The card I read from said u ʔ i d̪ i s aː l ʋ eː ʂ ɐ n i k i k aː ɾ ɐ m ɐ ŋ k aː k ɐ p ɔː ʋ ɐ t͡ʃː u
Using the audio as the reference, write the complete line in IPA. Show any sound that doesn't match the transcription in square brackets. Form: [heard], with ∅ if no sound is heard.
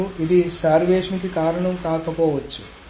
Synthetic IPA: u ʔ i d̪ i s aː [ɾ] ʋ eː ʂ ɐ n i k i k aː ɾ ɐ [ɳ] ɐ [m] k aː k ɐ p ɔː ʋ ɐ t͡ʃː u